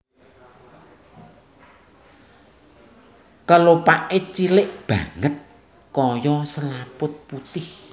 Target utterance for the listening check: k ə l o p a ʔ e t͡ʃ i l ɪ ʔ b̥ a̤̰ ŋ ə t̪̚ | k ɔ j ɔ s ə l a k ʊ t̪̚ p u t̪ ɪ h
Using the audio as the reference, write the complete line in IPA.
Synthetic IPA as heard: k ə l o p a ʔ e t͡ʃ i l ɪ ʔ b̥ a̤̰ ŋ ə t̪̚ | k ɔ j ɔ s ə l a p ʊ t̪̚ p u t̪ ɪ h